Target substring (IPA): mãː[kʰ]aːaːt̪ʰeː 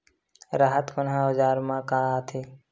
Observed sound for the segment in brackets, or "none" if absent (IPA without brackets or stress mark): k